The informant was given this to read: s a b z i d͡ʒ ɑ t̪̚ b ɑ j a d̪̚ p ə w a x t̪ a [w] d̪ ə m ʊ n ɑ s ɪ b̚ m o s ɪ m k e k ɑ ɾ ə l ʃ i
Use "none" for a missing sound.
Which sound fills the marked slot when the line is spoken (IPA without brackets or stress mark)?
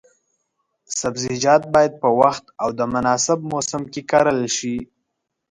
w